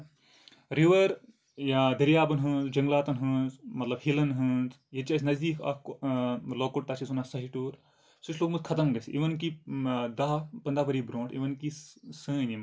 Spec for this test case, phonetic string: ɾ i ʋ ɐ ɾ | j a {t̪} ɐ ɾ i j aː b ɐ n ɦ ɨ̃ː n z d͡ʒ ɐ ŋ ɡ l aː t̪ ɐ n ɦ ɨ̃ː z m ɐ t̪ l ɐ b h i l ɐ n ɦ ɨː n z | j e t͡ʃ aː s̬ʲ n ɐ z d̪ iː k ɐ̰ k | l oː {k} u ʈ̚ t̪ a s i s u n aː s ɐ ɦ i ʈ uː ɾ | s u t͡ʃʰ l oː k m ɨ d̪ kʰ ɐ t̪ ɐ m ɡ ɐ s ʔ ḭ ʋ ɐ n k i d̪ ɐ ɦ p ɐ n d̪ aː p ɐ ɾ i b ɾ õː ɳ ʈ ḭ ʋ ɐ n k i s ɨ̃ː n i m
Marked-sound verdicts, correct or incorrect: incorrect: d̪, correct

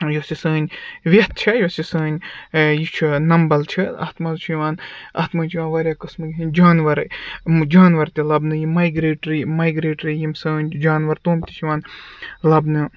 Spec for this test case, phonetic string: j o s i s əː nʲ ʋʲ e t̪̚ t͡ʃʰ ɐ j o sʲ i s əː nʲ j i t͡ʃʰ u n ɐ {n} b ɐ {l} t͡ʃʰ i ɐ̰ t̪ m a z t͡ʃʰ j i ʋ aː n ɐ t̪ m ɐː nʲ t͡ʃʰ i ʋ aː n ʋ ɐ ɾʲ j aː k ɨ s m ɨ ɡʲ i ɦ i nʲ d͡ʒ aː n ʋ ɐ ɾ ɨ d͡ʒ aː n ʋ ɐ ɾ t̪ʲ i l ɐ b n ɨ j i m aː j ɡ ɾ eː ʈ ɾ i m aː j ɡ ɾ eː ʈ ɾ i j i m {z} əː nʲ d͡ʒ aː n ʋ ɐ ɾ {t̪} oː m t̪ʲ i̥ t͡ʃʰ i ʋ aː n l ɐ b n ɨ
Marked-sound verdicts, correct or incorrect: incorrect: m, correct, incorrect: s, correct

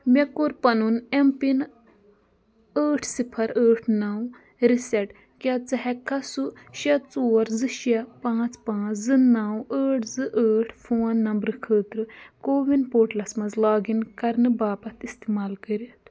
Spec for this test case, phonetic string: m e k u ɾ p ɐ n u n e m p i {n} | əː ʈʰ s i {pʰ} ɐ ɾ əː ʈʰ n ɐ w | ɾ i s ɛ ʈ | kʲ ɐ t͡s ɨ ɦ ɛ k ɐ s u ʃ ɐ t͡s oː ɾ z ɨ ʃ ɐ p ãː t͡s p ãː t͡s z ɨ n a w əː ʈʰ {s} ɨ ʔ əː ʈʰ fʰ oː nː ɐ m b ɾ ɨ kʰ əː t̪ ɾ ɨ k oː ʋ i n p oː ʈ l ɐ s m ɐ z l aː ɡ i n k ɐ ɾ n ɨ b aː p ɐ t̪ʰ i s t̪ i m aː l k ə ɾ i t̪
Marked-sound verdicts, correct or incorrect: correct, correct, incorrect: z

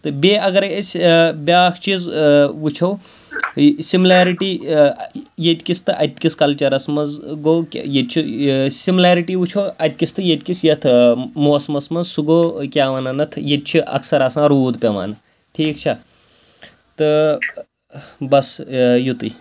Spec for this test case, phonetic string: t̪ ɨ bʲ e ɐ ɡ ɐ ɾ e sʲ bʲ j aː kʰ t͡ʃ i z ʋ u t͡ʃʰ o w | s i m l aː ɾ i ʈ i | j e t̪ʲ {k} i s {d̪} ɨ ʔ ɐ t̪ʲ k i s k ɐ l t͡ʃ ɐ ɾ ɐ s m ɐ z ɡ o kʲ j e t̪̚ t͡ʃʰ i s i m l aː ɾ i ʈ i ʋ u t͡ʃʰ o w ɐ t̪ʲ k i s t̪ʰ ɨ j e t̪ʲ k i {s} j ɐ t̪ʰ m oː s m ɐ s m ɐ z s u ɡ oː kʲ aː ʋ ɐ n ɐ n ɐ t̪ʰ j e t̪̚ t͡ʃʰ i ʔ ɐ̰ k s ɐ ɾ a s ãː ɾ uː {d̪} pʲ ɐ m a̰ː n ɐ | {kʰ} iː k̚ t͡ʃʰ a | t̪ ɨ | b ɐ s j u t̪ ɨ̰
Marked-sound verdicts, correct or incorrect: correct, incorrect: t̪, correct, correct, incorrect: ʈʰ

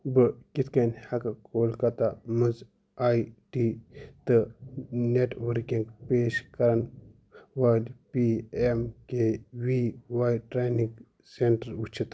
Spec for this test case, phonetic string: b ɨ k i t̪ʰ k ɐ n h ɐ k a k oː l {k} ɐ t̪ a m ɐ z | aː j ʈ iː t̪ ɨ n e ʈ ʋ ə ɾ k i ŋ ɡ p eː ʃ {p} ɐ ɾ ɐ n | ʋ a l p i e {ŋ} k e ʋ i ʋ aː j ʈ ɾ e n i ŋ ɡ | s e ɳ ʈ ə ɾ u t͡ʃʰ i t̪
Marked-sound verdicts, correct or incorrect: correct, incorrect: k, incorrect: m

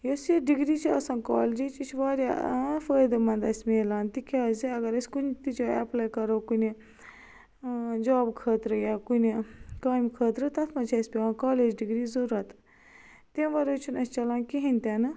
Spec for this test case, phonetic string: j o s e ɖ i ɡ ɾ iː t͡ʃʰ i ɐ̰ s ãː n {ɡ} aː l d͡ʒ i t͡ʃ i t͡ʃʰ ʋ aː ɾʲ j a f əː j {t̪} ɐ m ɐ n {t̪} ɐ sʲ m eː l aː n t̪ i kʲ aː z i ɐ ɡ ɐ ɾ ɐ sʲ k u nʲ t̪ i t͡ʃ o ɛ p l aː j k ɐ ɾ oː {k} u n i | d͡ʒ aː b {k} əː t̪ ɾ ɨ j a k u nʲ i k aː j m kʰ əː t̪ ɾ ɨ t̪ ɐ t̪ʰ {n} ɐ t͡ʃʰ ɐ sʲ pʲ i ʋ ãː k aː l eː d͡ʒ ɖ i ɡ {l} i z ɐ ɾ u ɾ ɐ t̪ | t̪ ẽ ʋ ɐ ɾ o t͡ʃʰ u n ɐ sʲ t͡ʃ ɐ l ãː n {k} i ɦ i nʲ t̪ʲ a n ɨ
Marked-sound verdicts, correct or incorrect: incorrect: k, incorrect: d̪, incorrect: d̪, correct, incorrect: kʰ, incorrect: m, incorrect: ɾ, correct

